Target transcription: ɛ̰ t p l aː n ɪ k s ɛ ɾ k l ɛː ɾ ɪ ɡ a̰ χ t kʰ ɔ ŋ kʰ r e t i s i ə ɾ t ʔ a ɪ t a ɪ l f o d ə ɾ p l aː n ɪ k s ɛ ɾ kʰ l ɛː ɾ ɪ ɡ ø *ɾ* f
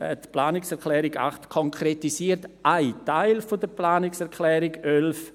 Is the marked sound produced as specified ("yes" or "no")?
no